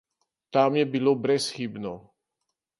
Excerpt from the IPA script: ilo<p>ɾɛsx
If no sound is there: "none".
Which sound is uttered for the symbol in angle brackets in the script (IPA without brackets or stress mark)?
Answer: b